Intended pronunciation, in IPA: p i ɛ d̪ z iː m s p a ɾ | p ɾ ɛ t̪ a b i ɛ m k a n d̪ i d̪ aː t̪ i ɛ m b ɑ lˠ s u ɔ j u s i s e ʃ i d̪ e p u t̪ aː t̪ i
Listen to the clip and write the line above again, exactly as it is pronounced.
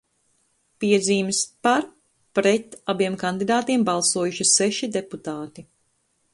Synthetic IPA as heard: p i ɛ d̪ z iː m s p a ɾ | p ɾ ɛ t̪ a b i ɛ m k a n d̪ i d̪ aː t̪ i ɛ m b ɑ lˠ s u ɔ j u ʃ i s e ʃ i d̪ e p u t̪ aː t̪ i